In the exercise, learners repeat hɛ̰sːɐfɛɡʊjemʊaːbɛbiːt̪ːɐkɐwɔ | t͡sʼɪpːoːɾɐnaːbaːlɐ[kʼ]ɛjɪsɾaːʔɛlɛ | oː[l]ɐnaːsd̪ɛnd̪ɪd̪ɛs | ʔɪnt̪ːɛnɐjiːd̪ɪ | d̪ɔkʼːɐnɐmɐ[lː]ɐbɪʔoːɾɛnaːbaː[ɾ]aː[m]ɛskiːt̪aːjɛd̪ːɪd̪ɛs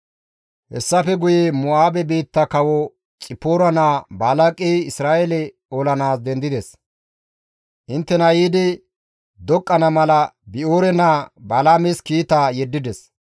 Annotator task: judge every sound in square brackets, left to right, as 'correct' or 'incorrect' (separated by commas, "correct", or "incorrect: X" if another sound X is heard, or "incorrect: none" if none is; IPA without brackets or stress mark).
correct, correct, incorrect: l, incorrect: l, correct